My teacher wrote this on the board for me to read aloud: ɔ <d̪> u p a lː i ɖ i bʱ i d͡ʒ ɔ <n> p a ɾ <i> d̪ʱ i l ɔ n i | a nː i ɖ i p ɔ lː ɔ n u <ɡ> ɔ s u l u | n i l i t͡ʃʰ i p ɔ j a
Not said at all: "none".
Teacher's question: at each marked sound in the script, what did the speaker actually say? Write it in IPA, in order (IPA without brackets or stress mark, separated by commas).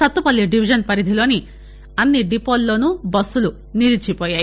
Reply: t̪, n, i, b